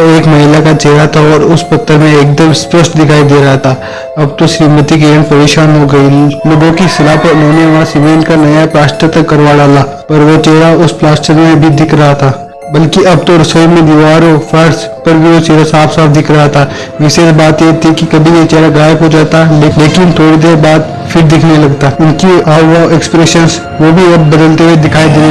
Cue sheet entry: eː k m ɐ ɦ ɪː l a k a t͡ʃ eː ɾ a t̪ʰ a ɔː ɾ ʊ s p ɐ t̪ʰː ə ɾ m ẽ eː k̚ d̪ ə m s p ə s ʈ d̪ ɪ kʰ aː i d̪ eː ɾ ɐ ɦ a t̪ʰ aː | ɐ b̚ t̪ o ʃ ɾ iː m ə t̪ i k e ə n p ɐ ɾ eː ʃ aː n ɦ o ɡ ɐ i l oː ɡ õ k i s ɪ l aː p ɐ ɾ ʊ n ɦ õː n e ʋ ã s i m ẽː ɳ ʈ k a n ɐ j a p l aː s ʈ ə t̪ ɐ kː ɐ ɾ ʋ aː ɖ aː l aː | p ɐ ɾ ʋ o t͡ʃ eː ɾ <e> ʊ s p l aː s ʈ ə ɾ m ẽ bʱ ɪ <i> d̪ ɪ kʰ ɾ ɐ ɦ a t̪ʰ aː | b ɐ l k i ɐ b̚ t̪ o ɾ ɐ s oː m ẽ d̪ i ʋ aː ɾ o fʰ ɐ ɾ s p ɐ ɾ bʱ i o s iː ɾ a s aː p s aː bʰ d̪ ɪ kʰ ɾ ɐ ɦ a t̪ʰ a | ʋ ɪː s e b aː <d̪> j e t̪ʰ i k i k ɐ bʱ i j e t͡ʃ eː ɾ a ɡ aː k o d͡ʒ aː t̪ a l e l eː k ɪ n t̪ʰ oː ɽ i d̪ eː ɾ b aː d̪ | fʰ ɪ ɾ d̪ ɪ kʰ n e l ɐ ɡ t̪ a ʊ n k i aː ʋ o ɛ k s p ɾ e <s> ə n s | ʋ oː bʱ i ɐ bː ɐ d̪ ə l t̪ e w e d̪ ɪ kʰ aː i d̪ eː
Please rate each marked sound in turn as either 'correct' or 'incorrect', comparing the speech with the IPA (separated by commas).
incorrect, correct, incorrect, incorrect